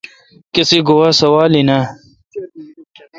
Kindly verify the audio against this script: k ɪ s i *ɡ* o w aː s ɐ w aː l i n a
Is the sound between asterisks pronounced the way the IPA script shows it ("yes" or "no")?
yes